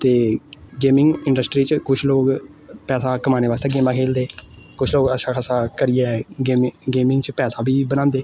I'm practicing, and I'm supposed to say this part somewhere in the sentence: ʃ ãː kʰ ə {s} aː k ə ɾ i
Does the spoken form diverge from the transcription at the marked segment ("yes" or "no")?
no